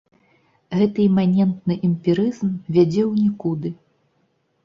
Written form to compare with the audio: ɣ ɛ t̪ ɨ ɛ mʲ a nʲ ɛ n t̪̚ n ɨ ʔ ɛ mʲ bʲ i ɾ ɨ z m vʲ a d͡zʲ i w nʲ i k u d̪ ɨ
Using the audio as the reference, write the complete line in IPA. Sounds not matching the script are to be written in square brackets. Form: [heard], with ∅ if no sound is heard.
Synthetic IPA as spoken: ɣ ɛ t̪ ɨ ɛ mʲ a nʲ ɛ n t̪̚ n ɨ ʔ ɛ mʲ [pʲ] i ɾ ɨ z m vʲ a d͡zʲ [ɛ] w nʲ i k u d̪ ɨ